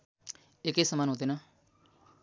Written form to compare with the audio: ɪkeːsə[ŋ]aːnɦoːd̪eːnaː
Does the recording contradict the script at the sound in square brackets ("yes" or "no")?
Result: yes